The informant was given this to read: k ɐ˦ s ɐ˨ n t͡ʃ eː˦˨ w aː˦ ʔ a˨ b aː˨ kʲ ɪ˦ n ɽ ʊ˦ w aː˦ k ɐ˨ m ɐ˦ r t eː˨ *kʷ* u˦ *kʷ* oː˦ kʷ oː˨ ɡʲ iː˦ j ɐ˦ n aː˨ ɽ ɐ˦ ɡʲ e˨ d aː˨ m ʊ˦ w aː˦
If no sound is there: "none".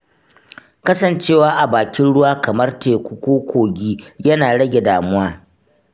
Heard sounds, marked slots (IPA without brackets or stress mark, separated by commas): kʷ, kʷ